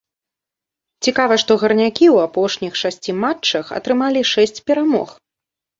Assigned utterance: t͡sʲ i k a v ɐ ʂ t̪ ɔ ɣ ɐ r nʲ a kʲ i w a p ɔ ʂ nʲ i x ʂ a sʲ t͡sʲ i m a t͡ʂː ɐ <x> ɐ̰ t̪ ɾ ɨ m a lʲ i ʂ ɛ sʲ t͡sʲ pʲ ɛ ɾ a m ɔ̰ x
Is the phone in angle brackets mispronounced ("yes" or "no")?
no